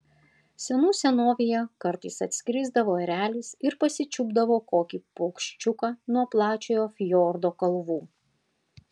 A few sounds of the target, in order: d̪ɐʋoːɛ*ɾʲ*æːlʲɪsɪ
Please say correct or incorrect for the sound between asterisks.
correct